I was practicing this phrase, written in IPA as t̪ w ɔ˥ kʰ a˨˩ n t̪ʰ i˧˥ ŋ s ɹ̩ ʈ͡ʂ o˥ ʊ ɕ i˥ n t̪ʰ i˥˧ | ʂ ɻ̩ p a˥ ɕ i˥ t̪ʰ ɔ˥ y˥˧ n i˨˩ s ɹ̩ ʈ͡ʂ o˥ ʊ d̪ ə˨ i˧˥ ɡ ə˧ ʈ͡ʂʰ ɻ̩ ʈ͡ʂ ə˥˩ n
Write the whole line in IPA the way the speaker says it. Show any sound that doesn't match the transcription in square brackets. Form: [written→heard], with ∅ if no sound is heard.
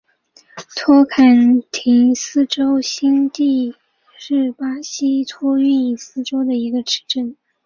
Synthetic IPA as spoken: [t̪→t̪ʰ] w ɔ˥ kʰ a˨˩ n t̪ʰ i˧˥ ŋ s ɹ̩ ʈ͡ʂ o˥ ʊ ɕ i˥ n [t̪ʰ→t̪] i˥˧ | ʂ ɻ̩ p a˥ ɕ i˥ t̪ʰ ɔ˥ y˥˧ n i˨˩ s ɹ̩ ʈ͡ʂ o˥ ʊ d̪ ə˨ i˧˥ ɡ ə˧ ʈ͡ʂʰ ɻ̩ ʈ͡ʂ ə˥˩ n